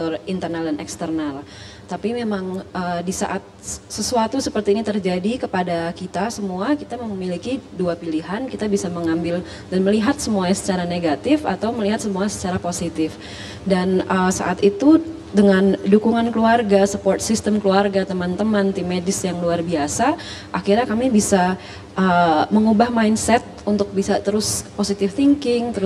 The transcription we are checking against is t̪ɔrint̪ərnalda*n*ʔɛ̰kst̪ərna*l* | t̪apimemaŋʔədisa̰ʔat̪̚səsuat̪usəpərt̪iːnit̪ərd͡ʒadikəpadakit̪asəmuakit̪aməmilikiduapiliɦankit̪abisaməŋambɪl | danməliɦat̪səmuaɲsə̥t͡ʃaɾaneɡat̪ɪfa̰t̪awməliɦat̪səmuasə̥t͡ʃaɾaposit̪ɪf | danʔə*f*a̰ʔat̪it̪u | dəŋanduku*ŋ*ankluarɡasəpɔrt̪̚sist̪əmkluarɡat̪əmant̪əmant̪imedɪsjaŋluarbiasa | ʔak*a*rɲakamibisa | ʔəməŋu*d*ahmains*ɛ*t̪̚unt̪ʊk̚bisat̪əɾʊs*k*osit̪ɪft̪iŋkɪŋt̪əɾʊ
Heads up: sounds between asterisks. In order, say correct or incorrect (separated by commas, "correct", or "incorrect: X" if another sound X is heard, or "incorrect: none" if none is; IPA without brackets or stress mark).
correct, correct, incorrect: s, correct, incorrect: i, incorrect: b, correct, incorrect: p